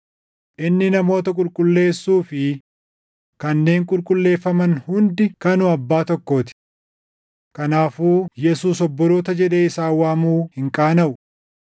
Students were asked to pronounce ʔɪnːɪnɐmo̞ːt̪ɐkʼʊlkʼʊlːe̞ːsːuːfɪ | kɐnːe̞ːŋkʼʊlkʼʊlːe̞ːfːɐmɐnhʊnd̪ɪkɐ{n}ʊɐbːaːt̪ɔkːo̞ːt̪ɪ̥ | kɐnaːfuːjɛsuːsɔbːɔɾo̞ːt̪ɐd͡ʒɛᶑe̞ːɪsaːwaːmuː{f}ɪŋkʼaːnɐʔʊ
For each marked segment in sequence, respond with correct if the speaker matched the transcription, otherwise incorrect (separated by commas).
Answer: correct, incorrect